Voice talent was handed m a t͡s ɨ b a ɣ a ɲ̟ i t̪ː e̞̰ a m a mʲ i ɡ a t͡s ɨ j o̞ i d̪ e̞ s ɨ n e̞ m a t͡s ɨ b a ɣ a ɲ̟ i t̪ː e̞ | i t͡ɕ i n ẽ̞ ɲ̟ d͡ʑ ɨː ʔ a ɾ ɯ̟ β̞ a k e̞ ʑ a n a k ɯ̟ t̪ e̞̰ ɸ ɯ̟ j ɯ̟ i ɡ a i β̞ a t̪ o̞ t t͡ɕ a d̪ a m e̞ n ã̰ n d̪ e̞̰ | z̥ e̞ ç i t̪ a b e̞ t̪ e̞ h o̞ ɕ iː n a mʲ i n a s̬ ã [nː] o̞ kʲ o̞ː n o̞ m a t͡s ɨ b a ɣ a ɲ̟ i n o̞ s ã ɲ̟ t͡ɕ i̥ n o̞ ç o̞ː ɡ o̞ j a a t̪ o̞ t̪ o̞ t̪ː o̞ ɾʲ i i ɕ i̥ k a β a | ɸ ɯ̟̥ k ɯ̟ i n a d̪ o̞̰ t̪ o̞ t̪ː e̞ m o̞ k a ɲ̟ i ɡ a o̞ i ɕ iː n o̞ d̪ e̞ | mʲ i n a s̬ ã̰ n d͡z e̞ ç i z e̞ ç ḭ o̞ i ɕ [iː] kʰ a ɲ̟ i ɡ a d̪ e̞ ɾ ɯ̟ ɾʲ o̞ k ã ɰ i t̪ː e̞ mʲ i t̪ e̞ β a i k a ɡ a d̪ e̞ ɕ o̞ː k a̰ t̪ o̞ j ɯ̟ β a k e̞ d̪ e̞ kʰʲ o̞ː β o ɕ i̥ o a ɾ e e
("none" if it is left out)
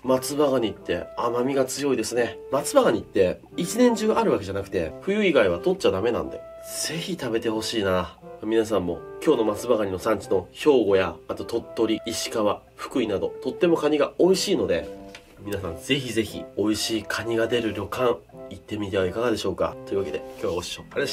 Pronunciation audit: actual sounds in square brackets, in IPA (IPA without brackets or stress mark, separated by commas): mː, iː